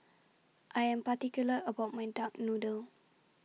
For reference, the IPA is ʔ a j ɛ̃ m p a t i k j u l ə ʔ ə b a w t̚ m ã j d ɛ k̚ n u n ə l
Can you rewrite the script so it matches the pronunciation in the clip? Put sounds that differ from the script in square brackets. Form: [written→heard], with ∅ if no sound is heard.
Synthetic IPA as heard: ʔ a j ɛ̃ m p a t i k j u l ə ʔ ə b a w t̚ m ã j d [ɛ→a] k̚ n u [n→d] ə l